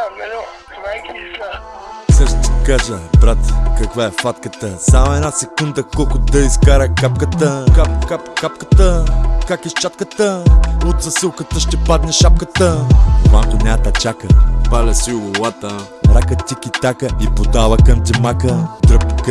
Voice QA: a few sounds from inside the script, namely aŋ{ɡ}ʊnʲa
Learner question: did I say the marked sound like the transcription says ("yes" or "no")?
no